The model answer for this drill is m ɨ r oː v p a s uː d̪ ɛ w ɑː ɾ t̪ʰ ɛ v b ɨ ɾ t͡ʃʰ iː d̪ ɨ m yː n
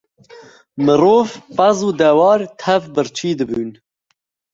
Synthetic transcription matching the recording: m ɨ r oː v p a z uː d̪ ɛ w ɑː ɾ t̪ʰ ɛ v b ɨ ɾ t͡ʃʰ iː d̪ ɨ b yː n